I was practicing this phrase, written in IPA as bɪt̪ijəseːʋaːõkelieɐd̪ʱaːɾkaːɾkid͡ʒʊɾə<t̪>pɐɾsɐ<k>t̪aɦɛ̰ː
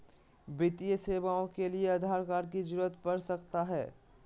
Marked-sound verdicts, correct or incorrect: correct, correct

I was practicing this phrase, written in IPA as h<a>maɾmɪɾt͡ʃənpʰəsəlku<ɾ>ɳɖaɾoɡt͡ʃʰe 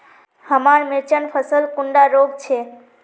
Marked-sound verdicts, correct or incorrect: incorrect, incorrect

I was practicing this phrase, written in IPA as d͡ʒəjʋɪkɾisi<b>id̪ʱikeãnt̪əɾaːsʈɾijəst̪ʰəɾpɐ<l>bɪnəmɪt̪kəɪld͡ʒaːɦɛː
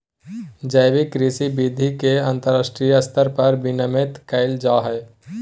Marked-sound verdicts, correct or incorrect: correct, incorrect

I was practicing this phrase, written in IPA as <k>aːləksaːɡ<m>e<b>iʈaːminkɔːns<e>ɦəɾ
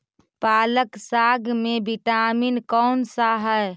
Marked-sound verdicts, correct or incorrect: incorrect, correct, correct, incorrect

